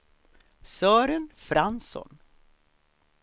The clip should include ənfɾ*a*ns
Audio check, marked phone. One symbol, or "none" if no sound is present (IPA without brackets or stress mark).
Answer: a